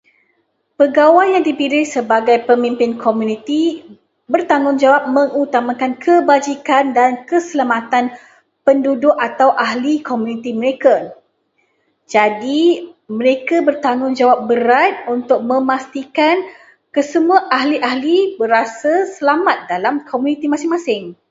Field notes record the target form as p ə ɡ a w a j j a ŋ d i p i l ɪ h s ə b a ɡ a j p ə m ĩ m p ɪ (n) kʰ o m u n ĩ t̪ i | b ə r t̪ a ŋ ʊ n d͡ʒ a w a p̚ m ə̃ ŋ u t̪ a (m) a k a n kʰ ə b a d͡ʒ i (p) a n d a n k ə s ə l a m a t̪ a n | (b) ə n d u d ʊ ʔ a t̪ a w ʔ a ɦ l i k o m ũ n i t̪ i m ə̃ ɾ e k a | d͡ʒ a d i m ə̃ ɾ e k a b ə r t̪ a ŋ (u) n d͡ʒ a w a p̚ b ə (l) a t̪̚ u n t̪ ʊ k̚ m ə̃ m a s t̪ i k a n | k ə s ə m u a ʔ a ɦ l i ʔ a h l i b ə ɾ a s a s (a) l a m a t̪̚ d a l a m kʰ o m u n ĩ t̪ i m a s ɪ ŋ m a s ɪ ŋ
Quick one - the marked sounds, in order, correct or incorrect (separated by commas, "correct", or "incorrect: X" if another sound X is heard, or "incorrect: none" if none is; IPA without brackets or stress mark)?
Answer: correct, correct, incorrect: k, incorrect: p, incorrect: ʊ, incorrect: ɾ, incorrect: ə